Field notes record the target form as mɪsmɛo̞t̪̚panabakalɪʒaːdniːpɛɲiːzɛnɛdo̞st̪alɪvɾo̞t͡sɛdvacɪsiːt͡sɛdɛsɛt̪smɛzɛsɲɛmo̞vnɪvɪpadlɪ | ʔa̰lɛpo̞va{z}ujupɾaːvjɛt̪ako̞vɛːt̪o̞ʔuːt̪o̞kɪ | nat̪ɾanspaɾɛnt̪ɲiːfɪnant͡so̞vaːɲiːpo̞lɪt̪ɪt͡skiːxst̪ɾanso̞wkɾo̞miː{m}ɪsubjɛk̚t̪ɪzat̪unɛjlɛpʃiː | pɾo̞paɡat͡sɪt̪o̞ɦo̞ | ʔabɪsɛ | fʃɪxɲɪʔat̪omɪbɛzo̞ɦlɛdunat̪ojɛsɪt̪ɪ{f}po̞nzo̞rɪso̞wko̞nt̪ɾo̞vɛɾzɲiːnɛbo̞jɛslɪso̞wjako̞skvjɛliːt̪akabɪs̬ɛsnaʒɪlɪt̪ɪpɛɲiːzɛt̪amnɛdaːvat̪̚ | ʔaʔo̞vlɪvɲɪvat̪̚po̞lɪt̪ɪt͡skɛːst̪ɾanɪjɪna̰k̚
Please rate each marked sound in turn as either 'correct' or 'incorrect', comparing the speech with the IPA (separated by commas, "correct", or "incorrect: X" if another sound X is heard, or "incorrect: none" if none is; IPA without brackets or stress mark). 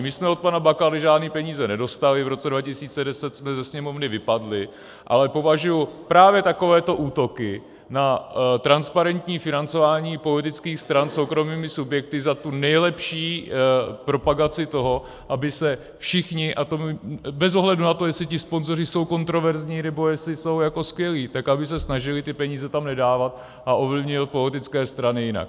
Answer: incorrect: ʒ, correct, incorrect: s